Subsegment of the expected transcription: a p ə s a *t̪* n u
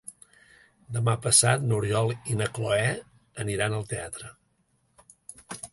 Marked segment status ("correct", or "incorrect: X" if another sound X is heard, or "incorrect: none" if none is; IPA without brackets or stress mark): correct